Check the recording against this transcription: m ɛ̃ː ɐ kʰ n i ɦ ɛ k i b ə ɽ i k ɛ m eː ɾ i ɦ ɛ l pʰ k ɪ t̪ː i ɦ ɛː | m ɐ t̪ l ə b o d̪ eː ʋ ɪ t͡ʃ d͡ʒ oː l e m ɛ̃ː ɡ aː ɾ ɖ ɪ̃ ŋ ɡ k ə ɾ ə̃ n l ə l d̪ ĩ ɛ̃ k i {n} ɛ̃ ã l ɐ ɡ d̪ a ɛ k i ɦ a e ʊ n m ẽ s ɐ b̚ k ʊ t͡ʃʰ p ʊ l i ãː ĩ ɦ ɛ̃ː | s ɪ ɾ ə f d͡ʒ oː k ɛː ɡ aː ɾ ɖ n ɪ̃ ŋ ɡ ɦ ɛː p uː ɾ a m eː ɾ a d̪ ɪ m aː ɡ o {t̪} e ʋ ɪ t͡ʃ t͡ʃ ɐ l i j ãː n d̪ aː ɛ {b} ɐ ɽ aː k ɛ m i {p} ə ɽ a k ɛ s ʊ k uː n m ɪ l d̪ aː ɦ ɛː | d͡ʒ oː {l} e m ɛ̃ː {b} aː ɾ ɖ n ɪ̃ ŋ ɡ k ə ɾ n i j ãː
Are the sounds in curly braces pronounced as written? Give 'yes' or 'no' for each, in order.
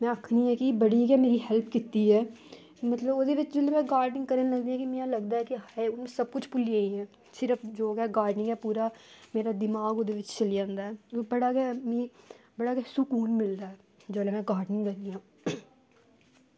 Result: no, no, yes, no, yes, no

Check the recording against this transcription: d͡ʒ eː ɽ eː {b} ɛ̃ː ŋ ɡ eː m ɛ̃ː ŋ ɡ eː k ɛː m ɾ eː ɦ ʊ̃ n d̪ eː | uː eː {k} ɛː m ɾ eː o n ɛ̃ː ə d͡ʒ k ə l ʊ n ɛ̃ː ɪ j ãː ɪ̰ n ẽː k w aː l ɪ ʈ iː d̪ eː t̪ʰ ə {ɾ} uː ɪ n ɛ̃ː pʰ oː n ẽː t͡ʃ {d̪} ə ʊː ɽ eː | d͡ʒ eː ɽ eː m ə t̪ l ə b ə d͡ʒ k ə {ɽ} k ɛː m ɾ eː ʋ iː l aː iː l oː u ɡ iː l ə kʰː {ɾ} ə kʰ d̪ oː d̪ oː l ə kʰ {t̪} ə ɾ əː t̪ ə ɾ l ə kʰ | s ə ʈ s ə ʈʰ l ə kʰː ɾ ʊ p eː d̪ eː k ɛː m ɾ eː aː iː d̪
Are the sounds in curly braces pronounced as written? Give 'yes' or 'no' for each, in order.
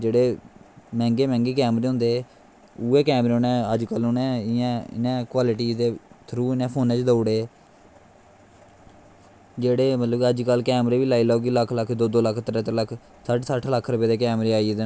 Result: no, yes, yes, yes, no, no, yes

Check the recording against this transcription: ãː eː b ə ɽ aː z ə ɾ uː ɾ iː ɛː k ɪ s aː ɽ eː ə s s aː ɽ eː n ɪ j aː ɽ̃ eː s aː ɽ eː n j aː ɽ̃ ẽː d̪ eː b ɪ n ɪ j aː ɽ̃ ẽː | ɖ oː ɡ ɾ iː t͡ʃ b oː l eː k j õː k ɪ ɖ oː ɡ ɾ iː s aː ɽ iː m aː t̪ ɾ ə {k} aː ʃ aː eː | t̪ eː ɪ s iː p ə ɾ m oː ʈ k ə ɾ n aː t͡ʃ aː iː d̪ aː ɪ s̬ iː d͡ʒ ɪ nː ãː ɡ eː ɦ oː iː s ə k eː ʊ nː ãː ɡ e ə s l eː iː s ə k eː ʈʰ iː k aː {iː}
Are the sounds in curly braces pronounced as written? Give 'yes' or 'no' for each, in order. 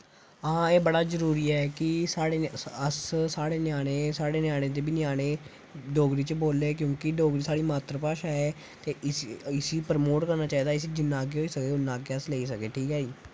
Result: no, yes

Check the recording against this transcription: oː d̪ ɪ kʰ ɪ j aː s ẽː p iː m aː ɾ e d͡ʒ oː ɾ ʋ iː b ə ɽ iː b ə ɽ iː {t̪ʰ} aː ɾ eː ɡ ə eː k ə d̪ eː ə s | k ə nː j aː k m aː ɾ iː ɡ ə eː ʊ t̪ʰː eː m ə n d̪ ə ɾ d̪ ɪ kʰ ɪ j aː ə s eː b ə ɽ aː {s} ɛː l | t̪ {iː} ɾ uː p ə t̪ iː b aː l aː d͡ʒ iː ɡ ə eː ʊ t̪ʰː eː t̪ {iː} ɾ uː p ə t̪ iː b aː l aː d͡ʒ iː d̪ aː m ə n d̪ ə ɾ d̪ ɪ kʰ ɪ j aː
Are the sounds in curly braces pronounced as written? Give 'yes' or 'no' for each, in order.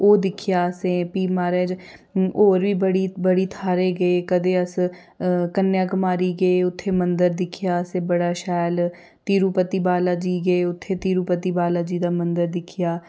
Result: yes, no, yes, yes

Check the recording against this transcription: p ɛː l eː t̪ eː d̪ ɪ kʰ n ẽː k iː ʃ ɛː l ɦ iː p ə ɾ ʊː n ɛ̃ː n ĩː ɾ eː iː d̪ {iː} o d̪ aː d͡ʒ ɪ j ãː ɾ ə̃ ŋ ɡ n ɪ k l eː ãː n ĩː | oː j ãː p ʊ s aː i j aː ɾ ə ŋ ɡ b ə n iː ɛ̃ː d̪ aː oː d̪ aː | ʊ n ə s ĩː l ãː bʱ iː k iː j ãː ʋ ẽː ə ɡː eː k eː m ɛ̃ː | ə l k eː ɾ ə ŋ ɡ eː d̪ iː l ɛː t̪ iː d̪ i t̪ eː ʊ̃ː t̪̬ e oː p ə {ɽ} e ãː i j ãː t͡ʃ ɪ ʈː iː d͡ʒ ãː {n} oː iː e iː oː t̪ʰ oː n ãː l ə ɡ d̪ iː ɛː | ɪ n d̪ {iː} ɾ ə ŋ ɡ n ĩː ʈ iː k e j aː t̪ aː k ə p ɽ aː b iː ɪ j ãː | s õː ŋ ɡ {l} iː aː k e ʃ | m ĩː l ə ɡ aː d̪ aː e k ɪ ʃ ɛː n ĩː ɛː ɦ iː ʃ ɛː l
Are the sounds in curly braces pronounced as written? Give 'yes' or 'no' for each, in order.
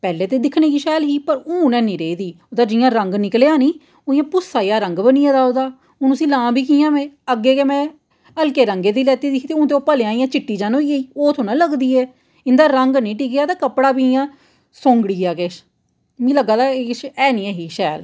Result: yes, no, yes, no, no

